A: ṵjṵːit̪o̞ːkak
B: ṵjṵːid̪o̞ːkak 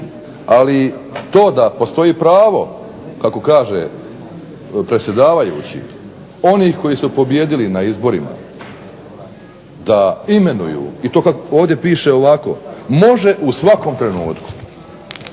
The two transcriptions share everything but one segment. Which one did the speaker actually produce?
A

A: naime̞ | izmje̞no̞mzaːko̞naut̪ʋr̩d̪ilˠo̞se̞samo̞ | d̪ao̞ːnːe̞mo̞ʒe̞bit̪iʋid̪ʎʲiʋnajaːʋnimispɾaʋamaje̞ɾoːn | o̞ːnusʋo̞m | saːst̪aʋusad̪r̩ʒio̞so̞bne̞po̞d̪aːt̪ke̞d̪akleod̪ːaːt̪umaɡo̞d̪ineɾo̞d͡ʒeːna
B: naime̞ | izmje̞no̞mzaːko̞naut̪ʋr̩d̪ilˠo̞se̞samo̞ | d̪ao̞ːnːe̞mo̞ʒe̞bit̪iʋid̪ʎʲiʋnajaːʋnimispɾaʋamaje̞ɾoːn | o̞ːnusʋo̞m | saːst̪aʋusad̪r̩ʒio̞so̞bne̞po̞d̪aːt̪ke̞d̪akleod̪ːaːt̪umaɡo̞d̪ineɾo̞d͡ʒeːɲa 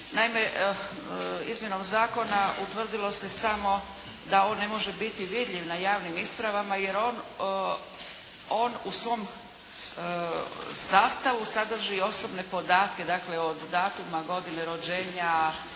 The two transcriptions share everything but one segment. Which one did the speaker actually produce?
B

